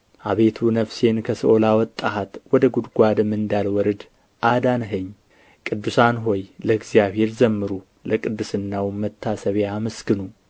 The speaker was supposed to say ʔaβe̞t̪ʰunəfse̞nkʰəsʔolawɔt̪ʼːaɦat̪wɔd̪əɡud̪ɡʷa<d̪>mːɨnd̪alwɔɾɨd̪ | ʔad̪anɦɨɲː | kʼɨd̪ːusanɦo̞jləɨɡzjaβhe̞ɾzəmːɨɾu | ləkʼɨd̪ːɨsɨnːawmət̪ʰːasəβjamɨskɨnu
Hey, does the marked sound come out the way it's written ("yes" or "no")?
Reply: yes